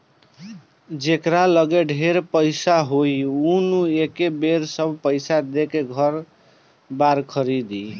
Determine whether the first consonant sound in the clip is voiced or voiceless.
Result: voiced